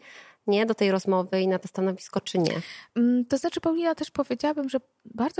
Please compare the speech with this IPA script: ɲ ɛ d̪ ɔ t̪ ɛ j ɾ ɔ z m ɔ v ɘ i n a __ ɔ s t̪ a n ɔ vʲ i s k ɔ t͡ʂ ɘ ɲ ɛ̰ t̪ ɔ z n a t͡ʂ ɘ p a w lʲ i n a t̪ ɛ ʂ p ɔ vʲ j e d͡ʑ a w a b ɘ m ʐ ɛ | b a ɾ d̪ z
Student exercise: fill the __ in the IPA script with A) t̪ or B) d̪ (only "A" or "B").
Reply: A